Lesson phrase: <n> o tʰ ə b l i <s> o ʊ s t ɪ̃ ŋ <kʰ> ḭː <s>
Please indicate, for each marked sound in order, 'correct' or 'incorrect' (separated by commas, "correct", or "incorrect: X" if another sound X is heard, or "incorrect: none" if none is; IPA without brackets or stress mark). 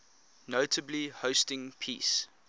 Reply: correct, incorrect: h, incorrect: pʰ, correct